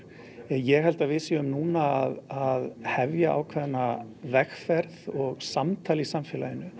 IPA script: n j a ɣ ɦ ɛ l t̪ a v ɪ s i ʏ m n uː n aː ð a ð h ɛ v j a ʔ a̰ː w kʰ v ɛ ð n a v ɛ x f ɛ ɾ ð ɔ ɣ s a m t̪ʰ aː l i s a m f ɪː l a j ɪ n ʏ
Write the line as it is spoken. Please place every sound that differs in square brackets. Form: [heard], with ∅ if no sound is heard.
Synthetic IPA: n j [ɛ] ɣ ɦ ɛ l t̪ a v ɪ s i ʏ m n uː n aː ð a ð h ɛ v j a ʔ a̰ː w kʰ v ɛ ð n a v ɛ x f ɛ ɾ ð ɔ ɣ s a m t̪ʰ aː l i s a m f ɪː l a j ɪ n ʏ

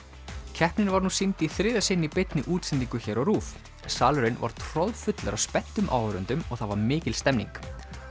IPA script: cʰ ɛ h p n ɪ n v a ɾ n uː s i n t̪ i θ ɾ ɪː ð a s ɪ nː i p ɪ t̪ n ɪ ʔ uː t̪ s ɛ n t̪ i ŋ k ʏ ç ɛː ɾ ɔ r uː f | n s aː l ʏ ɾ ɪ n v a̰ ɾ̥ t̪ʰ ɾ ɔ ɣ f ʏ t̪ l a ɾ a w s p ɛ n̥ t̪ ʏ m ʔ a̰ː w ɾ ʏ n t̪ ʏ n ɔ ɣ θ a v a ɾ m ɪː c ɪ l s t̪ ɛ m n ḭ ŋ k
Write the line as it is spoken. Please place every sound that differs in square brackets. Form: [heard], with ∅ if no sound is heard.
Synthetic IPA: cʰ ɛ h p n ɪ n v a ɾ n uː s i n t̪ i θ ɾ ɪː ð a s ɪ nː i p ɪ t̪ n ɪ ʔ uː t̪ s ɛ n t̪ i ŋ k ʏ ç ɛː ɾ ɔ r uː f | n s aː l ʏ ɾ ɪ n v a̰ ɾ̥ t̪ʰ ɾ ɔ [ð] f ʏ t̪ l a ɾ a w s p ɛ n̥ t̪ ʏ m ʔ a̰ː w ɾ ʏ n t̪ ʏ [m] ɔ ɣ θ a v a ɾ m ɪː c ɪ l s t̪ ɛ m n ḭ ŋ k

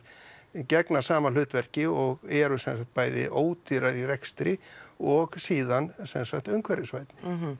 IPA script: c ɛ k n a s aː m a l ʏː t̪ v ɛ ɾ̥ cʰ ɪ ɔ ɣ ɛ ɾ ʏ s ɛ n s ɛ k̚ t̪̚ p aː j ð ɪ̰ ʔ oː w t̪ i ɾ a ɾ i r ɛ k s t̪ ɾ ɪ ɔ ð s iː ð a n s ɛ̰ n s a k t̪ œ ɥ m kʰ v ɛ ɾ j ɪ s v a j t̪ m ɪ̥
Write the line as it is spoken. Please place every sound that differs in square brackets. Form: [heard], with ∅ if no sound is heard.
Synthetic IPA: c ɛ k n a s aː m a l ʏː t̪ v ɛ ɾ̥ [c] ɪ ɔ ɣ ɛ ɾ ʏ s ɛ n s [a] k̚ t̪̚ p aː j ð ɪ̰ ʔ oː w t̪ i ɾ a ɾ i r ɛ k s t̪ ɾ ɪ ɔ [ɣ] s iː ð a n s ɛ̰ n s a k t̪ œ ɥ [ŋ] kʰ v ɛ ɾ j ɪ s v a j t̪ [n] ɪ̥

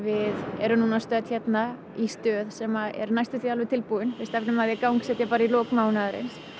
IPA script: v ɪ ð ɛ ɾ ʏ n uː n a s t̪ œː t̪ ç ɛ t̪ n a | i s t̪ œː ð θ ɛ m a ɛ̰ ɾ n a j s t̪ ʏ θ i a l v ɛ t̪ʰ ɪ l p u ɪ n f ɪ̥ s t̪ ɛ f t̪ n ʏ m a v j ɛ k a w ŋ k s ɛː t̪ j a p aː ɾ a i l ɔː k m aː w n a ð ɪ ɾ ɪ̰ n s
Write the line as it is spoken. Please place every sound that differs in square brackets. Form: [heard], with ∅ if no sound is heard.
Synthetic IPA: v ɪ ð ɛ ɾ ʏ n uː n a s t̪ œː t̪ ç ɛ t̪ n a | i s t̪ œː ð [s] ɛ m a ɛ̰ ɾ n a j s t̪ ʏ θ i a l v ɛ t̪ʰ ɪ l p u ɪ n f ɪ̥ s t̪ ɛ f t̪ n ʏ m a [ð] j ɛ k a w ŋ k s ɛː t̪ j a p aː ɾ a i l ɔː k m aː w n a ð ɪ ɾ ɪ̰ n s

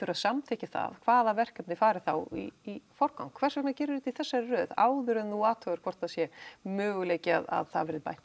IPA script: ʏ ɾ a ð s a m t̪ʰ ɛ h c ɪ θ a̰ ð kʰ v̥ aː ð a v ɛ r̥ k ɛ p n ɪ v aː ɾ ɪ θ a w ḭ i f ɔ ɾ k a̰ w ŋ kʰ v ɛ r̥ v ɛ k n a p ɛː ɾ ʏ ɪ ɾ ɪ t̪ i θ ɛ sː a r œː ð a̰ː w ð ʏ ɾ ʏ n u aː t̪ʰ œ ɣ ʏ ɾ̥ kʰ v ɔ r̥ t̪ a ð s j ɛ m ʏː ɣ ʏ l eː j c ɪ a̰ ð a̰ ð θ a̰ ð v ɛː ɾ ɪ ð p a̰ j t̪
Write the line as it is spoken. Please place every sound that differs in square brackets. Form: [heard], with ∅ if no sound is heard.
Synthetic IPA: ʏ ɾ a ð s a m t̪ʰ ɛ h c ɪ θ a̰ ð kʰ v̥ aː ð a v ɛ r̥ k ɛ p n ɪ [f] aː ɾ ɪ θ a w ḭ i f ɔ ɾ k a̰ w ŋ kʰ v ɛ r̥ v ɛ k n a [c] ɛː ɾ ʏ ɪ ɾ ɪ t̪ i θ ɛ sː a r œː ð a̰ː w ð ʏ ɾ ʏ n u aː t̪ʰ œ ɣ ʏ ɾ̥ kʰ v ɔ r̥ t̪ a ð s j ɛ m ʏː ɣ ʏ l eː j c ɪ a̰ ð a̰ ð θ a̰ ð v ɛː ɾ ɪ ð p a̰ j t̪

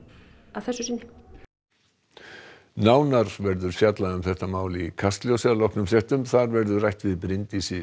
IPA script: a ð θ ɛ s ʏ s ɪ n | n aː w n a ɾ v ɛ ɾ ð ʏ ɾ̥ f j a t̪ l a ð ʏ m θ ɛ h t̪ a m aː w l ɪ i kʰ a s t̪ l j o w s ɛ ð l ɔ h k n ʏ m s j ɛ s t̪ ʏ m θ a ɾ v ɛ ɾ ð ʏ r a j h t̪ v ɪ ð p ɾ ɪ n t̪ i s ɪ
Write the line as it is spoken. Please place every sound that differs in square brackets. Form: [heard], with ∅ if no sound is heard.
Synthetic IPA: a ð θ ɛ s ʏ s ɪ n | n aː w n a ɾ v ɛ ɾ ð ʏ ɾ̥ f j a t̪ l a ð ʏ m θ ɛ h t̪ a m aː w l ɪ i kʰ a s t̪ l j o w s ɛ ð l ɔ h k n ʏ m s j ɛ [h] t̪ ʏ m θ a ɾ v ɛ ɾ ð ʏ r a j h t̪ v ɪ ð p ɾ ɪ n t̪ i s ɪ

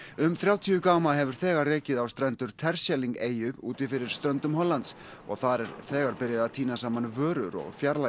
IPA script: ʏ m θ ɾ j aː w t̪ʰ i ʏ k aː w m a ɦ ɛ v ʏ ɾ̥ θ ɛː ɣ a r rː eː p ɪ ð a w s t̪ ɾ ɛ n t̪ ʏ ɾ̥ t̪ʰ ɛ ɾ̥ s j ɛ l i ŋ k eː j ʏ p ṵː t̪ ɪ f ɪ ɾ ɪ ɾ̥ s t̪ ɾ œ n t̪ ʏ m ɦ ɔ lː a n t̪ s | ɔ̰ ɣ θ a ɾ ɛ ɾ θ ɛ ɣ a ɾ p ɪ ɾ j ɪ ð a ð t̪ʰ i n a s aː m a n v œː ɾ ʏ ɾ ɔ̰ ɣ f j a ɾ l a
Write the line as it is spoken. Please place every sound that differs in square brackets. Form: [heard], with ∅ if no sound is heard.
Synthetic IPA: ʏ m θ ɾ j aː w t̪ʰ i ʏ k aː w m a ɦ ɛ v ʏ ɾ̥ θ ɛː ɣ a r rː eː [c] ɪ ð a w s t̪ ɾ ɛ n t̪ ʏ ɾ̥ t̪ʰ ɛ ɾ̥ s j ɛ l i ŋ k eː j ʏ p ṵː t̪ ɪ f ɪ ɾ ɪ ɾ̥ s t̪ ɾ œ n t̪ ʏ m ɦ ɔ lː a n t̪ s | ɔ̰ ɣ θ a ɾ ɛ ɾ θ [ɛː] ɣ a ɾ p ɪ ɾ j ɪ ð a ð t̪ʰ [iː] n a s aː m a n v œː ɾ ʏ ɾ ɔ̰ ɣ f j a ɾ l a

